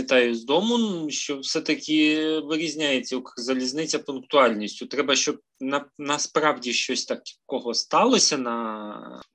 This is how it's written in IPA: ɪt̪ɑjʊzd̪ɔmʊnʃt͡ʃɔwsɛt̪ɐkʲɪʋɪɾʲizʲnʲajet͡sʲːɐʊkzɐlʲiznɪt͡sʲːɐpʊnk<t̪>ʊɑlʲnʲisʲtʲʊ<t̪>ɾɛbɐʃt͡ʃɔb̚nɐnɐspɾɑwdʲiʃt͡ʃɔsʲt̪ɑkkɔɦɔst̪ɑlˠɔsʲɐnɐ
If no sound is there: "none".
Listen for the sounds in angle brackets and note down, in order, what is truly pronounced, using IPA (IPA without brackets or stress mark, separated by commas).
t̪, t̪